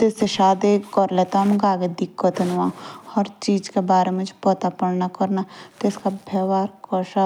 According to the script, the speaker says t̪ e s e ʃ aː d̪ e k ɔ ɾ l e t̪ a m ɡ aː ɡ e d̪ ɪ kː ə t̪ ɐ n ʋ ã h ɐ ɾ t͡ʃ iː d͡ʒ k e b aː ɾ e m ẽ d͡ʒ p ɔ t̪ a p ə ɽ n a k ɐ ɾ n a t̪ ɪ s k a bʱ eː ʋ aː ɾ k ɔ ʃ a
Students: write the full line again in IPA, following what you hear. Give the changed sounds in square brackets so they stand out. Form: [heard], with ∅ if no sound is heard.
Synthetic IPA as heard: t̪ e s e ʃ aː d̪ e k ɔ ɾ l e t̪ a m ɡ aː ɡ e d̪ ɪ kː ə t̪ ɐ n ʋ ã h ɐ ɾ t͡ʃ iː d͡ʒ k e b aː ɾ e m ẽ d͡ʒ p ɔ t̪ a p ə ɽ n a k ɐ ɾ n a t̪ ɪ s k a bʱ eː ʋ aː ɾ k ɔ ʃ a